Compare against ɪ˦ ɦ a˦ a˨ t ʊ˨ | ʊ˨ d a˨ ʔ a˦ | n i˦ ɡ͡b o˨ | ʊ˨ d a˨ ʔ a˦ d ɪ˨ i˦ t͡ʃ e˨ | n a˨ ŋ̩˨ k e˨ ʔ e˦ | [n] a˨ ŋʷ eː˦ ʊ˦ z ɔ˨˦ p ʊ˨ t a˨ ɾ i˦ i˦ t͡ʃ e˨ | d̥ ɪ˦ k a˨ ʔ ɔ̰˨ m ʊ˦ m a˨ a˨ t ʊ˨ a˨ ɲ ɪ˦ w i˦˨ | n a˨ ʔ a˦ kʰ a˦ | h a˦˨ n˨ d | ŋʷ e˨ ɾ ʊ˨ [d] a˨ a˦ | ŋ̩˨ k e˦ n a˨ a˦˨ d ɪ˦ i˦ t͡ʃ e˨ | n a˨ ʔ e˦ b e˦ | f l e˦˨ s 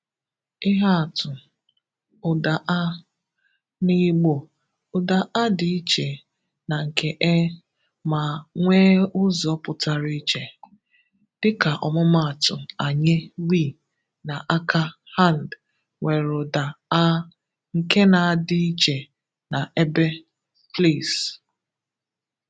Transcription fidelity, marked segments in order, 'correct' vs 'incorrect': incorrect, correct

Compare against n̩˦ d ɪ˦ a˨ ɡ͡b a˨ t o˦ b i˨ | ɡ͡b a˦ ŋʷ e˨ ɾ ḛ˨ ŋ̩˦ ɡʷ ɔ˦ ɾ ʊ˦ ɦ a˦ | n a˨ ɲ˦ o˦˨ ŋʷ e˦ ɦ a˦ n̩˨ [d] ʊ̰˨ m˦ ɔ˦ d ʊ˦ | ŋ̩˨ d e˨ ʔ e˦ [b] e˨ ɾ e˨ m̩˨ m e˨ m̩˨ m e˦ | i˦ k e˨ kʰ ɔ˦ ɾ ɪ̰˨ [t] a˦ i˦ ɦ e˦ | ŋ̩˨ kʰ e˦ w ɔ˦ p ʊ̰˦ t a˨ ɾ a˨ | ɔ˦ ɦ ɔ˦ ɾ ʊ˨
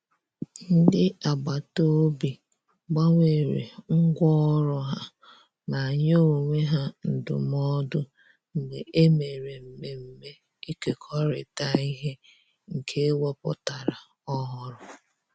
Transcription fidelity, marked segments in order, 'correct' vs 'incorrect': correct, incorrect, correct

